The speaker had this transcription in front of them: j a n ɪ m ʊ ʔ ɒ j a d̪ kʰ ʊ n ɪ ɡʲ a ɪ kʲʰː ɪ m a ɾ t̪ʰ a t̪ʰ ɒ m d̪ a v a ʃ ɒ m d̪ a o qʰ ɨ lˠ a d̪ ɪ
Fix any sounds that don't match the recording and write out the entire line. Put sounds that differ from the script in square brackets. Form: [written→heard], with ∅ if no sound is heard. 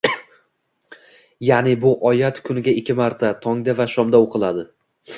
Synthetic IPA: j a n ɪ [m→b] ʊ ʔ ɒ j a [d̪→t̪] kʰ ʊ n ɪ ɡʲ a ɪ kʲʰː ɪ m a ɾ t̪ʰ a t̪ʰ ɒ [m→ŋ] d̪ a v a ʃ ɒ m d̪ a o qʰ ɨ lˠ a d̪ ɪ